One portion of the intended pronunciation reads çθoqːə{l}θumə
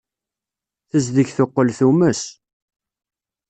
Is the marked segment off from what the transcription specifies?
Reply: no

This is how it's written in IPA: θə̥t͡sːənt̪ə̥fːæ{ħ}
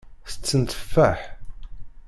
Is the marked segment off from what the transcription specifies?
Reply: no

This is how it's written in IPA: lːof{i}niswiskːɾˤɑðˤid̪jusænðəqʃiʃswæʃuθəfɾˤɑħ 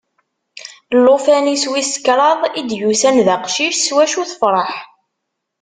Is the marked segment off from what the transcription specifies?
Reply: yes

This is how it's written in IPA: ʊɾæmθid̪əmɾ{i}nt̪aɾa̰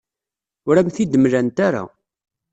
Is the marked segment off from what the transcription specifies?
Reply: yes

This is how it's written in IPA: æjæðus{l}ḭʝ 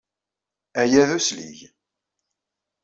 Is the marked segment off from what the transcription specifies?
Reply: no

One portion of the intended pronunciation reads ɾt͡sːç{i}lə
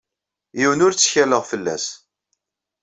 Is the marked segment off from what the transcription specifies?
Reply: yes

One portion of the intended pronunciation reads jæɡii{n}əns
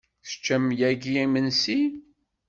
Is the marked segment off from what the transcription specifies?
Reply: yes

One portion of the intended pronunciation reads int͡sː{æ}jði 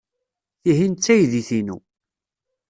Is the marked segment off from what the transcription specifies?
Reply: no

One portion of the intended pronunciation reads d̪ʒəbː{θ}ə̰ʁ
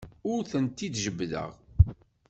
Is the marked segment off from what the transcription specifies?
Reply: yes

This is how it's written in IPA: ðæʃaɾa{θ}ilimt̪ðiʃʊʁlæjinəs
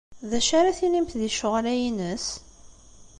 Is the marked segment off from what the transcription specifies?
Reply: no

